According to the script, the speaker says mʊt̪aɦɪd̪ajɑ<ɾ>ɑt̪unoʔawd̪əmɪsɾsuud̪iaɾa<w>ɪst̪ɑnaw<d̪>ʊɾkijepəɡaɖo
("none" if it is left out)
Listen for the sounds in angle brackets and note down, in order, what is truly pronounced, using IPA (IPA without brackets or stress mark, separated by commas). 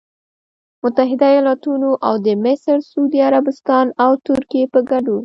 l, b, t̪